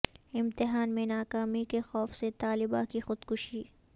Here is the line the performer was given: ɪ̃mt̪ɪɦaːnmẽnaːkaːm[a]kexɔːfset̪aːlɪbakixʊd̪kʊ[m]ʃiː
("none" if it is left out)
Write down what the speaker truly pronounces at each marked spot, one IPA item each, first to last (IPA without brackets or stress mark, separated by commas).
i, none